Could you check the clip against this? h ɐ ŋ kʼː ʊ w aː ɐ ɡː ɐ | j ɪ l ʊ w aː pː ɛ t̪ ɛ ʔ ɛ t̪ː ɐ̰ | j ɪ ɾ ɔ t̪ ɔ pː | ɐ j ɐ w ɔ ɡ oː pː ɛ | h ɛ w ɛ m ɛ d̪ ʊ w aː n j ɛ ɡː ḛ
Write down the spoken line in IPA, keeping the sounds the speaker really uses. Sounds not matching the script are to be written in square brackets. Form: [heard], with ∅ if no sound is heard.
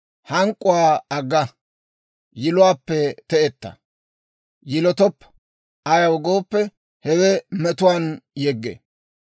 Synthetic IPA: h ɐ ŋ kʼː ʊ w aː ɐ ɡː ɐ | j ɪ l ʊ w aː pː ɛ t̪ ɛ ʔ ɛ t̪ː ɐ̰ | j ɪ [l] ɔ t̪ ɔ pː | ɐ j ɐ w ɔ ɡ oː pː ɛ | h ɛ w ɛ m ɛ [t̪] ʊ w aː n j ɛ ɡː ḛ